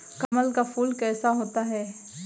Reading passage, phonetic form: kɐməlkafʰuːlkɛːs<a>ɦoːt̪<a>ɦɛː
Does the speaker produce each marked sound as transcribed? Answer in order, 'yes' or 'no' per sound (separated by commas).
yes, yes